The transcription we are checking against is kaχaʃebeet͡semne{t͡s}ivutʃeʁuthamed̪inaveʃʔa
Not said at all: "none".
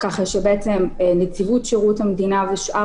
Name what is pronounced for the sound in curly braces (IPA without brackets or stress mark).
t͡s